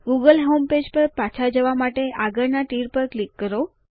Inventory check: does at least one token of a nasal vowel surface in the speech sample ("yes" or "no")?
no